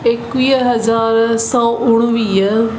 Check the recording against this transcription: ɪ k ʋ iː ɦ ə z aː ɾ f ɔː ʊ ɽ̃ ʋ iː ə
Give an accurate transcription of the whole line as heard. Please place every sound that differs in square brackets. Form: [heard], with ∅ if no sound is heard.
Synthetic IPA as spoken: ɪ k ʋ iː ɦ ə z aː ɾ [s] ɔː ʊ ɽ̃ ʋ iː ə